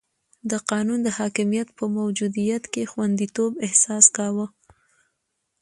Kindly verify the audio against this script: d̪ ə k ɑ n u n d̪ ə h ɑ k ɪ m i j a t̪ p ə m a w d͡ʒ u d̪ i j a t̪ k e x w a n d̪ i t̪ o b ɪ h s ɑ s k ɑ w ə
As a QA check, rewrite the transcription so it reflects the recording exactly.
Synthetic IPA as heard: d̪ ə q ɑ n u n d̪ ə h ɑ k ɪ m i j a t̪ p ə m a w d͡ʒ u d̪ i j a t̪ k e x w a n d̪ i t̪ o b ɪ h s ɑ s k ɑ w ə